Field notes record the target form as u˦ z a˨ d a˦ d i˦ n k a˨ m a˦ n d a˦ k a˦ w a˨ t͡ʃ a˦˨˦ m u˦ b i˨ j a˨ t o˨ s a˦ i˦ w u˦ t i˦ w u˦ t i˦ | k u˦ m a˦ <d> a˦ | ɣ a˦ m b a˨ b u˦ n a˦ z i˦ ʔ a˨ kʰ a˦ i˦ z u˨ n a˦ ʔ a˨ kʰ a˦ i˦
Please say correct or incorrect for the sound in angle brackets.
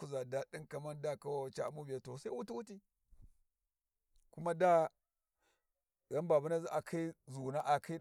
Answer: correct